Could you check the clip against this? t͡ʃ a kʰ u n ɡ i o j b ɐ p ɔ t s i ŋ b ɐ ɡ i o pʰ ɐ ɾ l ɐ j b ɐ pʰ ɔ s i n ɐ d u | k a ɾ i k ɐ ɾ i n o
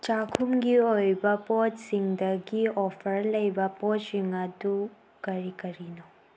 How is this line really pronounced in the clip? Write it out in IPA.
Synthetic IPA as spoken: t͡ʃ a kʰ u m ɡ i o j b ɐ p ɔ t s i ŋ d ɐ ɡ i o pʰ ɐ ɾ l ɐ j b ɐ p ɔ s i ŋ ɐ d u | k ɐ ɾ i k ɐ ɾ i n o

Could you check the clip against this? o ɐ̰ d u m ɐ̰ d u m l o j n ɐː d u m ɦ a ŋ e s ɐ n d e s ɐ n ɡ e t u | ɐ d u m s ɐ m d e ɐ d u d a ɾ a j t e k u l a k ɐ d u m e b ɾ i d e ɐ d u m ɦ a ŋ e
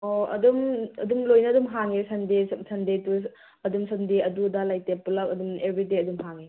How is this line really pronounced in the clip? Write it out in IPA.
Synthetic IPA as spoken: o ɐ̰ d u m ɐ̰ d u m l o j n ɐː d u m ɦ a ŋ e s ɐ n d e s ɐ n d e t u | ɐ d u m s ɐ m d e ɐ d u d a l a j t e p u l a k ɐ d u m e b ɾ i d e ɐ d u m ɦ a ŋ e

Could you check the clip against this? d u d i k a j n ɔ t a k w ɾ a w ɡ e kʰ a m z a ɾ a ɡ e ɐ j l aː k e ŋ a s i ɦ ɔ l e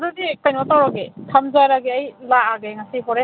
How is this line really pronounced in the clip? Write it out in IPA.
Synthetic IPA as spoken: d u d i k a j n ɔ t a w ɾ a ɡ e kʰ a m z a ɾ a ɡ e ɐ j l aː ɡ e ŋ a s i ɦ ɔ ɾ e

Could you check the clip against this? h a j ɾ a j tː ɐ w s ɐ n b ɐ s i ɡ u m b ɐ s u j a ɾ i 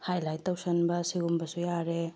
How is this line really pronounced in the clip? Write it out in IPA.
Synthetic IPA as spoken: h a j l a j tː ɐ w s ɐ n b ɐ s i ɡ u m b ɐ s u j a ɾ e

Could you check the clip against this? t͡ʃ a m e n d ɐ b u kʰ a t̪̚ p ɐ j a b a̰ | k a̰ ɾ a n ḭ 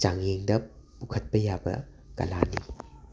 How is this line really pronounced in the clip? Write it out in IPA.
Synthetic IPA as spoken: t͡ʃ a ŋ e ŋ d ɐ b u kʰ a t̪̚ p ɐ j a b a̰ | k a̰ l a n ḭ

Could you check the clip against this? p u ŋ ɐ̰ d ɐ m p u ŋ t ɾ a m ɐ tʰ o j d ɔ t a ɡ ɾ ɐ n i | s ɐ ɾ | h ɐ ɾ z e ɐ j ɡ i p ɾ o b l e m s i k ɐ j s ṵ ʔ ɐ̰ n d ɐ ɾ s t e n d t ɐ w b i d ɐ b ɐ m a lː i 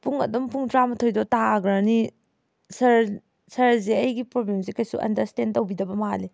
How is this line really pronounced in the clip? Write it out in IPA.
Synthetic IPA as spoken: p u ŋ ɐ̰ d ɐ m p u ŋ t ɾ a m ɐ tʰ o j d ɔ t a ɡ ɾ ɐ n i | s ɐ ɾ | s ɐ ɾ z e ɐ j ɡ i p ɾ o b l e m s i k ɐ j s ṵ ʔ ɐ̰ n d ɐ ɾ s t e n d t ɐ w b i d ɐ b ɐ m a l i

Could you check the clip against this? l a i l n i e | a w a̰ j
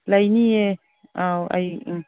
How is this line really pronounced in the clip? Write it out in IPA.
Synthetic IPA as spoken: l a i n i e | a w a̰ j

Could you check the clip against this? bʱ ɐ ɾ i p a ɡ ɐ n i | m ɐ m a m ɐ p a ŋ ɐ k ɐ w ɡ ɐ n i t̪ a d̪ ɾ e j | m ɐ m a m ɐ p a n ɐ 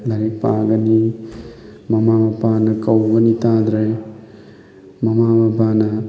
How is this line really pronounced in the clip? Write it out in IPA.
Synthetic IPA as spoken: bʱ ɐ ɾ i p a ɡ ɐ n i | m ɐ m a m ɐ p a n ɐ k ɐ w ɡ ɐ n i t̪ a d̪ ɾ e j | m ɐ m a m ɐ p a n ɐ

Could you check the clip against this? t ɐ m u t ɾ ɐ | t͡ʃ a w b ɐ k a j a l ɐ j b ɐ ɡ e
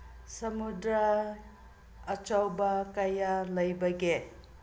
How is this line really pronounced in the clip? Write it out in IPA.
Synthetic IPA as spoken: s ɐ m u d ɾ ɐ | t͡ʃ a w b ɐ k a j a l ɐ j b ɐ ɡ e

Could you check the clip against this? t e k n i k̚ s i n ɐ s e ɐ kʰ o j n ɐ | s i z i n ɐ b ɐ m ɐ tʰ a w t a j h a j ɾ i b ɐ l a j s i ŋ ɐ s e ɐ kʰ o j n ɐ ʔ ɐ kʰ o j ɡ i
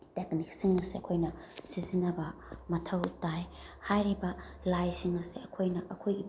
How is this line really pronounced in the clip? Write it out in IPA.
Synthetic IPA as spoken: t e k n i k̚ s i ŋ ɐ s e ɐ kʰ o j n ɐ | s i z i n ɐ b ɐ m ɐ tʰ ɐ w t a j h a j ɾ i b ɐ l a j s i ŋ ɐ s e ɐ kʰ o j n ɐ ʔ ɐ kʰ o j ɡ i

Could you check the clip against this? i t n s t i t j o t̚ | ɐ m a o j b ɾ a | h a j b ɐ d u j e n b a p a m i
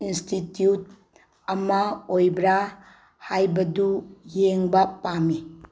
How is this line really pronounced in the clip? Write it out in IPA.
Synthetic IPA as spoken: i n s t i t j u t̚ | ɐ m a o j b ɾ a | h a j b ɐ d u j e ŋ b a p a m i

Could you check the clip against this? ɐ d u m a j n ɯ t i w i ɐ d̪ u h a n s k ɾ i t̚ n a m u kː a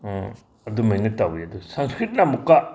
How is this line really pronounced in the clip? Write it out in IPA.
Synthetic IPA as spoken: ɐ d u m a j n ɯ t a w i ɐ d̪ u s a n s k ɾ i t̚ n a m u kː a

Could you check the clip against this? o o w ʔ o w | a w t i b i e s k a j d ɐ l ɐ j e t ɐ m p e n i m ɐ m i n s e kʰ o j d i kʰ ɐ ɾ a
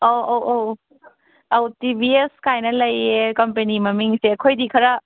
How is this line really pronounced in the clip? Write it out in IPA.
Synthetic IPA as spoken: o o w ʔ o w | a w t i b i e s k a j n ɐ l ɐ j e k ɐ m p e n i m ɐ m i ŋ s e kʰ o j d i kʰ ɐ ɾ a

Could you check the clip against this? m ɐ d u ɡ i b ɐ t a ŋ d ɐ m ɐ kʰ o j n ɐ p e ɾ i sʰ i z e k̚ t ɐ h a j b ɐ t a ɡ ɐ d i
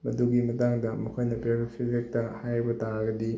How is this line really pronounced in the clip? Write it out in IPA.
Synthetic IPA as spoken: m ɐ d u ɡ i m ɐ t a ŋ d ɐ m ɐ kʰ o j n ɐ p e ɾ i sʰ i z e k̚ t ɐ h a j b ɐ t a ɡ ɐ d i

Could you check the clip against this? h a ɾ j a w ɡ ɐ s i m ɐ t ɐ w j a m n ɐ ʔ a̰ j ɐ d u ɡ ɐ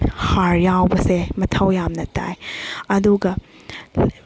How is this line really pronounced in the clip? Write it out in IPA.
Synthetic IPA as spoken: h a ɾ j a w b ɐ s e m ɐ tʰ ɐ w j a m n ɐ t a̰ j ɐ d u ɡ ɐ

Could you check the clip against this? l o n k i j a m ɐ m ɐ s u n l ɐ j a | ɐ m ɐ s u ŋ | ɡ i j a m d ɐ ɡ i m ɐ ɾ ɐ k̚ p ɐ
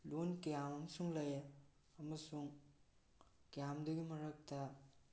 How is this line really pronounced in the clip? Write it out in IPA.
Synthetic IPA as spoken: l o n k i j a m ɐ m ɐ s u ŋ l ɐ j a | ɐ m ɐ s u ŋ | k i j a m d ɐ ɡ i m ɐ ɾ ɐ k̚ t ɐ

